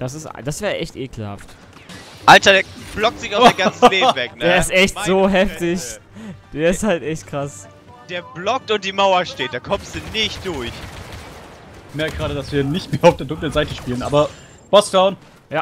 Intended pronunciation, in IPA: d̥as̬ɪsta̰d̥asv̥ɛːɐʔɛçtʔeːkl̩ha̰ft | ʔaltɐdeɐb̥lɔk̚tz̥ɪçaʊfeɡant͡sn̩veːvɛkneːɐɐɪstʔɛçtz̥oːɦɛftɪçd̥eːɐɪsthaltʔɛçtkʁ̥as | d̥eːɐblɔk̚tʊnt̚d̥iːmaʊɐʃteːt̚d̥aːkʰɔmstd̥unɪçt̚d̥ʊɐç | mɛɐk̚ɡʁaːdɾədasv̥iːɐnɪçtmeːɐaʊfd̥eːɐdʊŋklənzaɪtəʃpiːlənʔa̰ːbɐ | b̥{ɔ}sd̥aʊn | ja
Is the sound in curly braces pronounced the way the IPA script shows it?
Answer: yes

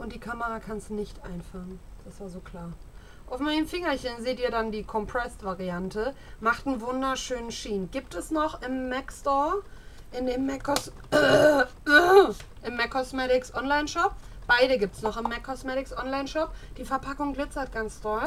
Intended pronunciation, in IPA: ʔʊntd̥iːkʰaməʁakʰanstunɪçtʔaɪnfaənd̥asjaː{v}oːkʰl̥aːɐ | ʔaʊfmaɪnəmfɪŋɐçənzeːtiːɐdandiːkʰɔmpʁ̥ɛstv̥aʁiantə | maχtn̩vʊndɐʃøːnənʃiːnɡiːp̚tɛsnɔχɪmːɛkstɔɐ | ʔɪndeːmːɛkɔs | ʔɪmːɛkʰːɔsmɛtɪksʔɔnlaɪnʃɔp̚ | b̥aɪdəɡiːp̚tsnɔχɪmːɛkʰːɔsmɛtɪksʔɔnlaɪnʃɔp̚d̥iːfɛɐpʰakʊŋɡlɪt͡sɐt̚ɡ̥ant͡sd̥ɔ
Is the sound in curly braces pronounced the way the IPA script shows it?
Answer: no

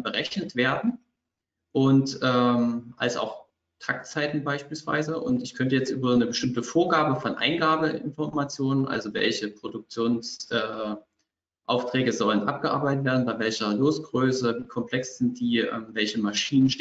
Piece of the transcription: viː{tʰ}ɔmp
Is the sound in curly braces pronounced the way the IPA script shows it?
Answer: no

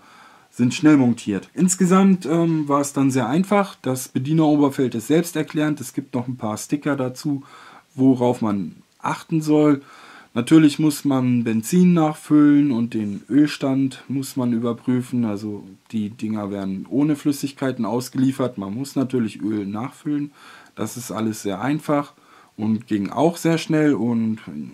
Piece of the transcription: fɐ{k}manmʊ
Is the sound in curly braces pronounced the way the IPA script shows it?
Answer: no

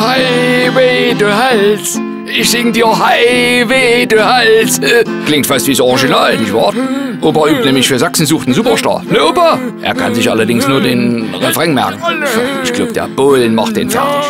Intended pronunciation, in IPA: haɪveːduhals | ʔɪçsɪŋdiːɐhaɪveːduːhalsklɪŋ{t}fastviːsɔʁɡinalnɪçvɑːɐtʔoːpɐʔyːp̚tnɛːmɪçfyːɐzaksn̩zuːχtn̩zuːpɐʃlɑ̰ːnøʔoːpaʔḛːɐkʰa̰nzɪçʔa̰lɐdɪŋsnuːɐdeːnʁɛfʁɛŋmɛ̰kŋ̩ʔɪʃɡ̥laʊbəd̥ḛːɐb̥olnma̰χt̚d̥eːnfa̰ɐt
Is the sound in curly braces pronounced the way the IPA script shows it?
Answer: yes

